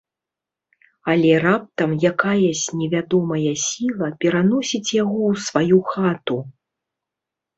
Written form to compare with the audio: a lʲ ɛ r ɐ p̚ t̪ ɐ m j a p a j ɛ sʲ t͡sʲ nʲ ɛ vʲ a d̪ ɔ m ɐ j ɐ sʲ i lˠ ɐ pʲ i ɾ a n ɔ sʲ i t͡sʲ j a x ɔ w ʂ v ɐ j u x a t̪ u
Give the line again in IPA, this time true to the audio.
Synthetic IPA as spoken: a lʲ ɛ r a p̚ t̪ ɐ m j a k a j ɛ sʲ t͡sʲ nʲ ɛ vʲ a d̪ ɔ m ɐ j ɐ sʲ i lˠ ɐ pʲ ɛ ɾ a n ɔ sʲ i t͡sʲ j a ɣ ɔ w s v a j u x a t̪ u